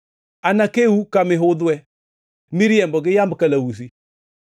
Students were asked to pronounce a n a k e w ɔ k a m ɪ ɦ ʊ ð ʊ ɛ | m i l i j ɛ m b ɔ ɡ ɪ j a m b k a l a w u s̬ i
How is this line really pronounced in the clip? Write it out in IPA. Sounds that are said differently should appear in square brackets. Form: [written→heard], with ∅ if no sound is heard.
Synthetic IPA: a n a k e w [ɔ→u] k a m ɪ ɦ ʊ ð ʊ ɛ | m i [l→ɾ] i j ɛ m b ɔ ɡ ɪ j a m b k a l a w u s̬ i